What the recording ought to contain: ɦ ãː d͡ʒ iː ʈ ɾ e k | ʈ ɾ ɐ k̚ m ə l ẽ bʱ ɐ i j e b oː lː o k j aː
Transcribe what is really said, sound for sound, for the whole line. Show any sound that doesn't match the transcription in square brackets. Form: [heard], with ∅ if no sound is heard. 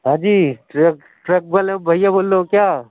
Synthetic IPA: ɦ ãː d͡ʒ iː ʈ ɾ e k | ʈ ɾ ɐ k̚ [b] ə l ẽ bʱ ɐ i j [a] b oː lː o k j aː

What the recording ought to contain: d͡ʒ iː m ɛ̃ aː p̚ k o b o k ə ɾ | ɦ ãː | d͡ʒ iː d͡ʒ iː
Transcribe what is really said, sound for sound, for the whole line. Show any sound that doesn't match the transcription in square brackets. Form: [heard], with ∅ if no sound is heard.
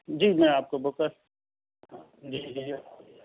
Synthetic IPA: d͡ʒ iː m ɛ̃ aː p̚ k o b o k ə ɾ | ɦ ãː | d͡ʒ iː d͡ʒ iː

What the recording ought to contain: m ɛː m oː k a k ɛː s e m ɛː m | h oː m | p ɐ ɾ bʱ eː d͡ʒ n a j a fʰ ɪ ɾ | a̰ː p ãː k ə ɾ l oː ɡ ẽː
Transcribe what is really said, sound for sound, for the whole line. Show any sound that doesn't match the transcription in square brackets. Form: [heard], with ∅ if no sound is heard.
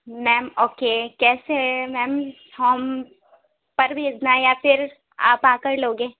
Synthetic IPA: m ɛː m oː k [e] k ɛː s e m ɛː m | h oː m | p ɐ ɾ bʱ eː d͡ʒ n a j a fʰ ɪ ɾ | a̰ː p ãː k ə ɾ l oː ɡ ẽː

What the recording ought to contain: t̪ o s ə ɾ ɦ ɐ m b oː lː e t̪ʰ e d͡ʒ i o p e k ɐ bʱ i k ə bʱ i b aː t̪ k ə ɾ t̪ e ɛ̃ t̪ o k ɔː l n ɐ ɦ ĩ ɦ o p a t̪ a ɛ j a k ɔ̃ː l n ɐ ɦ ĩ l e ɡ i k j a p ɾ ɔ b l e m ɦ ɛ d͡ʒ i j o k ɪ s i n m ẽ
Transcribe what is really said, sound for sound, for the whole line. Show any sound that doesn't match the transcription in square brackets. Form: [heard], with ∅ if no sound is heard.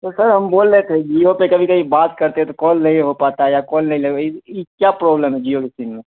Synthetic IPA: t̪ o s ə ɾ ɦ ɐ m b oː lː e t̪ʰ e d͡ʒ i o p e k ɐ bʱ i k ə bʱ i b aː t̪ k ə ɾ t̪ e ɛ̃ t̪ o k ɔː l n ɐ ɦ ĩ ɦ o p a t̪ a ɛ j a k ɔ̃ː l n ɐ ɦ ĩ l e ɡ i k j a p ɾ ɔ b l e m ɦ ɛ d͡ʒ i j o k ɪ s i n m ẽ

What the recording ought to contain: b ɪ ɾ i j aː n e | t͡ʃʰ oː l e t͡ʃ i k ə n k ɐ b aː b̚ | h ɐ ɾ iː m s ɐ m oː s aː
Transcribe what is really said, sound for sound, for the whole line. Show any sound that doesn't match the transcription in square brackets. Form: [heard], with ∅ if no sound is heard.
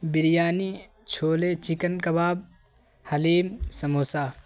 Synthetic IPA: b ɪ ɾ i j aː n [i] | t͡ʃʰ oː l e t͡ʃ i k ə n k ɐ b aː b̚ | h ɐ [l] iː m s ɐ m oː s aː

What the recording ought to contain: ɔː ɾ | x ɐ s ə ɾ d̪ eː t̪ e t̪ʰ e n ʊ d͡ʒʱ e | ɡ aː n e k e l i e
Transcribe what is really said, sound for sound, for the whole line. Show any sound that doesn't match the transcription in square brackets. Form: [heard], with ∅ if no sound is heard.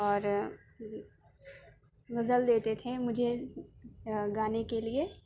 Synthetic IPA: ɔː ɾ | [ɣ] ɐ [z] ə [l] d̪ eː t̪ e t̪ʰ e [m] ʊ d͡ʒʱ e | ɡ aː n e k e l i e

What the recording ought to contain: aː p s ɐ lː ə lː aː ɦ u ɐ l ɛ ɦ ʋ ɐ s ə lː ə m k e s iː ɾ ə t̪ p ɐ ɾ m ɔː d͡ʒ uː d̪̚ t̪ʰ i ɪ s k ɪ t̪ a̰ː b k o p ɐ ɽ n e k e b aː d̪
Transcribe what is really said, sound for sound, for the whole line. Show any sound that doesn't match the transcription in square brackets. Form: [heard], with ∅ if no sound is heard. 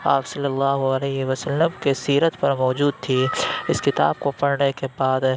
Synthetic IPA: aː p s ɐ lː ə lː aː ɦ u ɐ l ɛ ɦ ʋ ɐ s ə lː ə m k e s iː ɾ ə t̪ p ɐ ɾ m ɔː d͡ʒ uː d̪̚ t̪ʰ i ɪ s k ɪ t̪ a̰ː b k o p ɐ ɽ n e k e b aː d̪

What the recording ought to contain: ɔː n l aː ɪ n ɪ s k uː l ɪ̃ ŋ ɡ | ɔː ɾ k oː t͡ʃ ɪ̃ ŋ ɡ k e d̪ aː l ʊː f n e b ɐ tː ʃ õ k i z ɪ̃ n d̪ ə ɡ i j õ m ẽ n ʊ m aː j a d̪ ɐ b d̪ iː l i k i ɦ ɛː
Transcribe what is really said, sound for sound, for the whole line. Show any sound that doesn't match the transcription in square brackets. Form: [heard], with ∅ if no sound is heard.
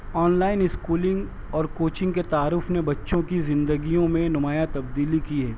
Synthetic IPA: ɔː n l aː ɪ n ɪ s k uː l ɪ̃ ŋ ɡ | ɔː ɾ k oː t͡ʃ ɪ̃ ŋ ɡ k e [t̪] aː [ɾ] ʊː f n e b ɐ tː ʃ õ k i z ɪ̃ n d̪ ə ɡ i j õ m ẽ n ʊ m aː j a [t̪] ɐ b d̪ iː l i k i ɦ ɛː

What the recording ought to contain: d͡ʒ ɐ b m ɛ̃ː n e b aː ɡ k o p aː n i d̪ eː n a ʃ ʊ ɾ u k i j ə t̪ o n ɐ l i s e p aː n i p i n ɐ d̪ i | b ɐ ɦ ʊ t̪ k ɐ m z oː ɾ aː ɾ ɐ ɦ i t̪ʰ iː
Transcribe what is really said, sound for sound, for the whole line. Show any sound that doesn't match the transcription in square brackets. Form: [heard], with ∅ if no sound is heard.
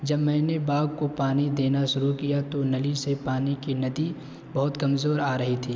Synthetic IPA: d͡ʒ ɐ b m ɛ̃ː n e b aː ɡ k o p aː n i d̪ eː n a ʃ ʊ ɾ u k i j [a] t̪ o n ɐ l i s e p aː n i [k] i n ɐ d̪ i | b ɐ ɦ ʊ t̪ k ɐ m z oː ɾ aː ɾ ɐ ɦ i t̪ʰ iː

